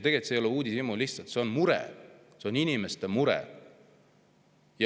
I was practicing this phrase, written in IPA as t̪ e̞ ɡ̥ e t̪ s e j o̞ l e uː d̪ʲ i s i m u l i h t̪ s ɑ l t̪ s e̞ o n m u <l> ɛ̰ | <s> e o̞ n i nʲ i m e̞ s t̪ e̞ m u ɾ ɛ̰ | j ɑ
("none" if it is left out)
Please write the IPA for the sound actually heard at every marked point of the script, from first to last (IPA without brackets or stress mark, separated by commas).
ɾ, s